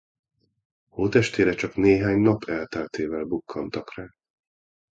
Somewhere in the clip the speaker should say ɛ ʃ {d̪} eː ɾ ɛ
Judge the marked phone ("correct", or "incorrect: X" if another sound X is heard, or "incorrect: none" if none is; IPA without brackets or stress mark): incorrect: t̪